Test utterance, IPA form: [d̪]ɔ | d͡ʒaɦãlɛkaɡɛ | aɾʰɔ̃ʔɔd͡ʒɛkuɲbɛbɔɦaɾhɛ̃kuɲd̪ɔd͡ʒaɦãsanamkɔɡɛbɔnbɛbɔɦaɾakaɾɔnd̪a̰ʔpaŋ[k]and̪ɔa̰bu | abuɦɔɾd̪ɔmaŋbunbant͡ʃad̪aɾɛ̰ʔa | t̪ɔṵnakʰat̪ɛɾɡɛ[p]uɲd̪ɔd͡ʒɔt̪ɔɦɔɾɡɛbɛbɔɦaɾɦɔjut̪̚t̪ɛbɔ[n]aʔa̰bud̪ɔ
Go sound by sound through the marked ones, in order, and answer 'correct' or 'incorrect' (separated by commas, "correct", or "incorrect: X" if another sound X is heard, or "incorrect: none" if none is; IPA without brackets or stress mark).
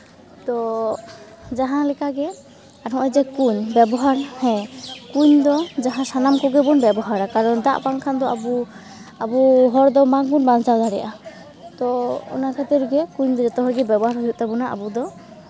incorrect: t̪, incorrect: kʰ, incorrect: k, correct